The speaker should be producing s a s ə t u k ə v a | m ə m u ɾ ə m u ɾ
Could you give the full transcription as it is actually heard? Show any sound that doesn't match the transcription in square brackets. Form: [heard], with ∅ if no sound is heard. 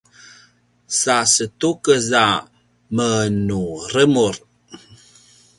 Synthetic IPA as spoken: s a s ə t u k ə [z] a | m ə [n] u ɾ ə m u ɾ